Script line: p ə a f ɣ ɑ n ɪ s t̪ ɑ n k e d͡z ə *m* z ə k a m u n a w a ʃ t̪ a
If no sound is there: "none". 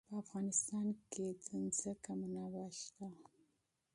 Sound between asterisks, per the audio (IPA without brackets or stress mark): n